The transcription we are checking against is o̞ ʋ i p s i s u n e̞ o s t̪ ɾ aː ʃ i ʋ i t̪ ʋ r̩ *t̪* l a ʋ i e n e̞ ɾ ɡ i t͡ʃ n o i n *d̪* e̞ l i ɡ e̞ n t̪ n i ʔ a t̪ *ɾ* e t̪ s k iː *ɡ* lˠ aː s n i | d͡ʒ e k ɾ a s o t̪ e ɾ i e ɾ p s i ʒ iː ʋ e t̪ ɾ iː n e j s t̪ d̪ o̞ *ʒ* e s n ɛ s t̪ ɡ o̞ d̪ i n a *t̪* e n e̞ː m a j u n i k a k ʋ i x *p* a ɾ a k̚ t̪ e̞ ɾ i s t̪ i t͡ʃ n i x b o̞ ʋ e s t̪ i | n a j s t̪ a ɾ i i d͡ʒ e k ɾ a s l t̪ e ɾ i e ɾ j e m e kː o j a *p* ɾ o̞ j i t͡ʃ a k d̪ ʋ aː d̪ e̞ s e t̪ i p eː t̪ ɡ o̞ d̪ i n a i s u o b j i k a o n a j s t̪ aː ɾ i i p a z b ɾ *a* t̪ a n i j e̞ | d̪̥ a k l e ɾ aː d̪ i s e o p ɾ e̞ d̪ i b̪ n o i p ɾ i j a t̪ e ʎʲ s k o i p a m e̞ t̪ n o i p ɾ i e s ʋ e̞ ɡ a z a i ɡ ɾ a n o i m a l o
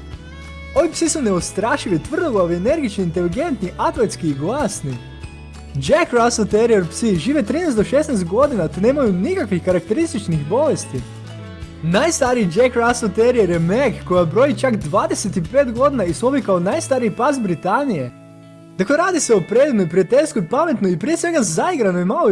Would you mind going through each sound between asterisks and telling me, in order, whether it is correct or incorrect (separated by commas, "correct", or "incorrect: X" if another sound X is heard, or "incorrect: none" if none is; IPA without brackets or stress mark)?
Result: incorrect: d̪, incorrect: t̪, incorrect: l, correct, incorrect: ʃ, correct, incorrect: k, incorrect: b, incorrect: i